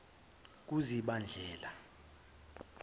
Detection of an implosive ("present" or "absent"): present